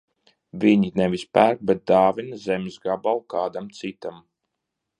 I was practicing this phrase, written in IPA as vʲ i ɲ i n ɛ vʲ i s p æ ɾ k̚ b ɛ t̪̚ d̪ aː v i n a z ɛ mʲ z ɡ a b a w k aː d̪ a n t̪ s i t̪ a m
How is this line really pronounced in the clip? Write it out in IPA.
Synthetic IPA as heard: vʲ i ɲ i n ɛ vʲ i s p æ ɾ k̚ b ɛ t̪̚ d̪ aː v i n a z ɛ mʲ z ɡ a b a w k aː d̪ a m t̪ s i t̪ a m